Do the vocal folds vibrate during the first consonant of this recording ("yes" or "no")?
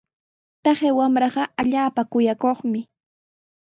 no